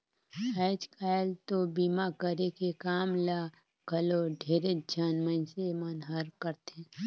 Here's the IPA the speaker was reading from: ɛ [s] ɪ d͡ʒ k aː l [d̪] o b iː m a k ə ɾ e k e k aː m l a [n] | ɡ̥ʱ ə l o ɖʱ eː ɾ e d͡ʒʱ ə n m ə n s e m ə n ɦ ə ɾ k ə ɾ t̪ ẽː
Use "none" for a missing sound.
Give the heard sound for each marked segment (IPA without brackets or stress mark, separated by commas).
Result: none, t̪, none